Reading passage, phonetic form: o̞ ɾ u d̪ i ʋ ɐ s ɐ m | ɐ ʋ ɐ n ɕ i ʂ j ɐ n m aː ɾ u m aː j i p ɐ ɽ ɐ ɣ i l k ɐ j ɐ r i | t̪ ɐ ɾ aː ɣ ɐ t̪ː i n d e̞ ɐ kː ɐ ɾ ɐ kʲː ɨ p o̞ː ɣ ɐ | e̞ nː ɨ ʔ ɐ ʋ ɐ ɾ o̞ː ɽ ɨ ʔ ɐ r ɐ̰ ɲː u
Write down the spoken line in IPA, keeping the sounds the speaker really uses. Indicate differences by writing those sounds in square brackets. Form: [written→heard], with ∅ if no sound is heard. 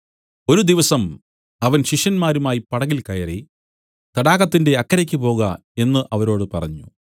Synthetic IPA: o̞ ɾ u d̪ i ʋ ɐ s ɐ m | ɐ ʋ ɐ n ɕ i ʂ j ɐ n m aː ɾ u m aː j i p ɐ ɽ ɐ ɣ i l k ɐ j ɐ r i | t̪ ɐ [ɾ→ɽ] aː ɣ ɐ t̪ː i n d e̞ ɐ kː ɐ ɾ ɐ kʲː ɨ p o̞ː ɣ ɐ | e̞ nː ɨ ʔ ɐ ʋ ɐ ɾ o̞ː ɽ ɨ [ʔ→p] ɐ r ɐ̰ ɲː u